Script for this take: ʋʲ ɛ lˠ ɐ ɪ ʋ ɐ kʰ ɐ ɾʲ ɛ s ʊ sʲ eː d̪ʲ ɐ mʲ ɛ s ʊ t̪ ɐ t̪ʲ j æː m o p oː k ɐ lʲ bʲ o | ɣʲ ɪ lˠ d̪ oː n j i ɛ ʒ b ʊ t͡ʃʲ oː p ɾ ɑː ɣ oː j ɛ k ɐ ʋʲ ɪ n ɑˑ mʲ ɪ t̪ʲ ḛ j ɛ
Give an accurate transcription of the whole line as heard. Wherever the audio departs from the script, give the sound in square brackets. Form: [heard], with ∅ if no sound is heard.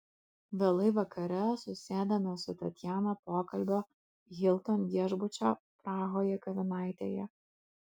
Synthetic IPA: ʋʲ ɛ lˠ ɐ ɪ ʋ ɐ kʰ ɐ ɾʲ ɛ s ʊ sʲ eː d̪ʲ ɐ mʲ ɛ s ʊ t̪ ɐ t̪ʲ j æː [n] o p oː k ɐ lʲ bʲ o | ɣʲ ɪ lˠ [t̪] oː n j i ɛ ʒ b ʊ t͡ʃʲ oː p ɾ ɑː ɣ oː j ɛ k ɐ ʋʲ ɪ n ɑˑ [∅] ɪ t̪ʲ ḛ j ɛ

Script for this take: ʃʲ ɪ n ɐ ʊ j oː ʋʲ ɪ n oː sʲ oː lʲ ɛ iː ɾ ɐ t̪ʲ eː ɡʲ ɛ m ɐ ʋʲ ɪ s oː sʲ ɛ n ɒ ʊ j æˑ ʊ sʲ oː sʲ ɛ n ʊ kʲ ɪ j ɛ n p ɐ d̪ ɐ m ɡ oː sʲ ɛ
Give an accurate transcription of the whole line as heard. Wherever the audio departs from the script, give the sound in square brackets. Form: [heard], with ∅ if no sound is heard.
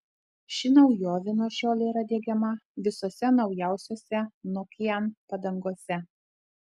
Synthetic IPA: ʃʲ ɪ n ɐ ʊ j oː ʋʲ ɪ n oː [ʃʲ] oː lʲ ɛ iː ɾ ɐ [d̪ʲ] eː ɡʲ ɛ m ɐ ʋʲ ɪ s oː sʲ ɛ n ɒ ʊ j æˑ ʊ sʲ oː sʲ ɛ n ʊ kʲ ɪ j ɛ n p ɐ d̪ ɐ [ŋ] ɡ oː sʲ ɛ

